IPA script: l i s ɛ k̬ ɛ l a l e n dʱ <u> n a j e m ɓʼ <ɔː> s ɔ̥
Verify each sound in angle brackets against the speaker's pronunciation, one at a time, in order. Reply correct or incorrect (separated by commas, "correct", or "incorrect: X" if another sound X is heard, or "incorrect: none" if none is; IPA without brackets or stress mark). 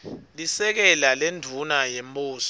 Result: correct, incorrect: uː